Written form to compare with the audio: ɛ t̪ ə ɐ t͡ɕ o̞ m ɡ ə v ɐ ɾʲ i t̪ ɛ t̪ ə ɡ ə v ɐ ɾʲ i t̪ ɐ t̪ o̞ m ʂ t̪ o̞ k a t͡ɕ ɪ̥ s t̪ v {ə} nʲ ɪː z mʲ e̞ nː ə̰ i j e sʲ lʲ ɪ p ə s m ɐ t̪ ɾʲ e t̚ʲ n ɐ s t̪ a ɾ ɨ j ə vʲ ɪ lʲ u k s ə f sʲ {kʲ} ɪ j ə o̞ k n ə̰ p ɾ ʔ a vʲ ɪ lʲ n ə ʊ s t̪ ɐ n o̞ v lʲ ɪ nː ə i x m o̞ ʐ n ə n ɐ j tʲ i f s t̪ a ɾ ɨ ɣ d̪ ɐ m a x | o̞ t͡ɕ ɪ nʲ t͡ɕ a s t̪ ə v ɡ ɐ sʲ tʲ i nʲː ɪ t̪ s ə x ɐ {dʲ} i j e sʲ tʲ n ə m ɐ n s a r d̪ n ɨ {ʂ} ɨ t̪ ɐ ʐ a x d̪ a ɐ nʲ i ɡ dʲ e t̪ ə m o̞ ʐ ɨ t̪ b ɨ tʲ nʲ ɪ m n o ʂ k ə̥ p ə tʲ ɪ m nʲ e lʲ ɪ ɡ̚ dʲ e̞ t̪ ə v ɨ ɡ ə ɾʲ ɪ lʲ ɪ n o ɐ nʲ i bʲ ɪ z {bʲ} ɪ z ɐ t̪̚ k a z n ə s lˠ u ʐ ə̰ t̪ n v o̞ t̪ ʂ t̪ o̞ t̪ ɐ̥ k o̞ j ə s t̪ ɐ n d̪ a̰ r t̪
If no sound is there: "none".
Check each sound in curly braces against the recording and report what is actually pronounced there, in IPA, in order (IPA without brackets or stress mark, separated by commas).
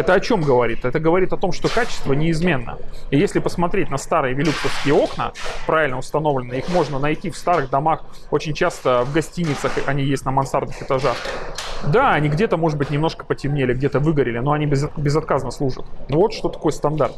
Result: ə, kʲ, nʲ, x, bʲ